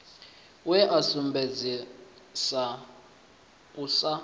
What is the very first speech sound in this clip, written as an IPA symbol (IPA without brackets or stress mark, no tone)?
w